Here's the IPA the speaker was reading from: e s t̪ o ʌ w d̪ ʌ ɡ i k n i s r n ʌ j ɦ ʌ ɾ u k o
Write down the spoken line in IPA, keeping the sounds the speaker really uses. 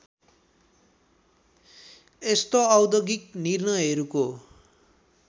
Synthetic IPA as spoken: e s t̪ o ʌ w d̪ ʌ ɡ i k n i r n ʌ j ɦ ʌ ɾ u k o